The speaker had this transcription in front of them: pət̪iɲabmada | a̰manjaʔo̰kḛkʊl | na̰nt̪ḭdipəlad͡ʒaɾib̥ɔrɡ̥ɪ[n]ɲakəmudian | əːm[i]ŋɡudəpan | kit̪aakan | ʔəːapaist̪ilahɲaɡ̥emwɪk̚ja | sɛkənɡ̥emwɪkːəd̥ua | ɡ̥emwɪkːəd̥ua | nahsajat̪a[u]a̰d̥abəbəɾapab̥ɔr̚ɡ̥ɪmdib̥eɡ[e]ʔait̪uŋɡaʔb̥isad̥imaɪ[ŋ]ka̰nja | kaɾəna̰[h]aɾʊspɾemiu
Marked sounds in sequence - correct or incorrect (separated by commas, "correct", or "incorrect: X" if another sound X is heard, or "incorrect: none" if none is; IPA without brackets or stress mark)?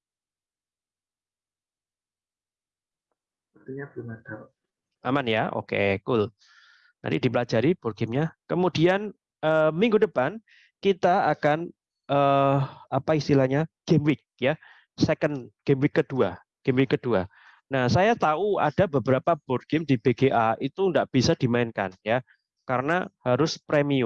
incorrect: m, correct, correct, correct, incorrect: n, correct